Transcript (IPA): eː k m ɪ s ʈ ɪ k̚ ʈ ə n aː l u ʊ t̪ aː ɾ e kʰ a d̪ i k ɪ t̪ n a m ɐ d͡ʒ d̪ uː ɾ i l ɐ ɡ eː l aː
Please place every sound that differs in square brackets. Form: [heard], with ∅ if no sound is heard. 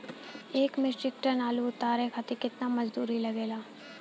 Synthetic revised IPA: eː k m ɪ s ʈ ɪ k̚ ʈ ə n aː l u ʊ t̪ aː ɾ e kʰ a [t̪] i k ɪ t̪ n a m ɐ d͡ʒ d̪ uː ɾ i l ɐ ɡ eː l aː